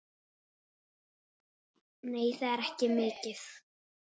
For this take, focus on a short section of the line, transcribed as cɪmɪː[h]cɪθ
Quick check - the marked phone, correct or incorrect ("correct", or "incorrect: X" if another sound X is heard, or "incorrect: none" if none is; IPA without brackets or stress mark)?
incorrect: none